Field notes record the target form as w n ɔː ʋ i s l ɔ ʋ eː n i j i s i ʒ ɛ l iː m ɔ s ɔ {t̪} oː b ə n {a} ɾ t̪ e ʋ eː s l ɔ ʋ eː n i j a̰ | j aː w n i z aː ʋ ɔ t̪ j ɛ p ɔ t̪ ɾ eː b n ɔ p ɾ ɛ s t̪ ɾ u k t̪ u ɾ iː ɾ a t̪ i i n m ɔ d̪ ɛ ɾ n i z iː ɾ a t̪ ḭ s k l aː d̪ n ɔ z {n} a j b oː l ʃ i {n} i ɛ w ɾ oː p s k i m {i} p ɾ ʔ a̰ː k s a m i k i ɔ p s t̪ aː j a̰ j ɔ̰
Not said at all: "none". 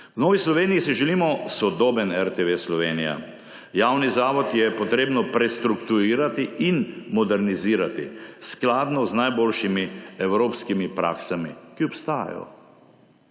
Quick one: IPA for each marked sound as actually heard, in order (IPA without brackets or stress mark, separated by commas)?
d̪, ɛ, n, m, i